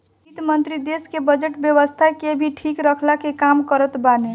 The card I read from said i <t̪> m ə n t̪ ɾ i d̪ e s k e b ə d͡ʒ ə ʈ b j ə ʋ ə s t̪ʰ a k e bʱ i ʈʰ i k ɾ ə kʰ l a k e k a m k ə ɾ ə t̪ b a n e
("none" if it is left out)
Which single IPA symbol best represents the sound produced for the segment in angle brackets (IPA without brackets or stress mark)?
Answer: t̪